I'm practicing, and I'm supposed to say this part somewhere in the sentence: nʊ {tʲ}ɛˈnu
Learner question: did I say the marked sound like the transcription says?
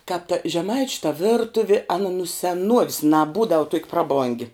no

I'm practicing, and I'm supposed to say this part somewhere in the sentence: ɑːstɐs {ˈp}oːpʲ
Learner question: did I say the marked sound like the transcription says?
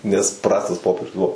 yes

